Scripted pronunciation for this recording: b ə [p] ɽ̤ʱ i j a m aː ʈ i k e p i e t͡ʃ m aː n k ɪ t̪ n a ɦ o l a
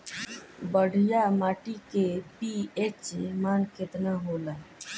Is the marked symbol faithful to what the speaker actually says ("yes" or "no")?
no